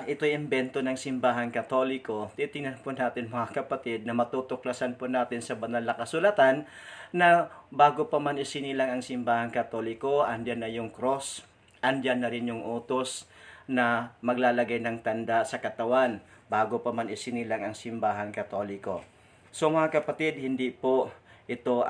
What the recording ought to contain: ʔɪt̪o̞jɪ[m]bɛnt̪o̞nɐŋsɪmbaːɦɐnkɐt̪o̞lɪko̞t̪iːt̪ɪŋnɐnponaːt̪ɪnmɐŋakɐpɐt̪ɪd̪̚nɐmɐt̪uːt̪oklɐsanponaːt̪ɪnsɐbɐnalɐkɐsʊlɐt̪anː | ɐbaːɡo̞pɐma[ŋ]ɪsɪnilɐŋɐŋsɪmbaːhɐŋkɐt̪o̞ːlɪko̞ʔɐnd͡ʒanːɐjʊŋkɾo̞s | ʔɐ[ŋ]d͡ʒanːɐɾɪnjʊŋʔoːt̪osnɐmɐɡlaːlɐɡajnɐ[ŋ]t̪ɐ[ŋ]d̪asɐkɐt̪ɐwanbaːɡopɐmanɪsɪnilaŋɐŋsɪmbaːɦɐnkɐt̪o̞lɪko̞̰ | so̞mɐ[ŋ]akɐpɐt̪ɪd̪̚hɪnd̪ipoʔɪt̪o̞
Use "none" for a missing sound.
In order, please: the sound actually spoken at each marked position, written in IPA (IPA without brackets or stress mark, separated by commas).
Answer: m, n, n, ŋ, n, ŋ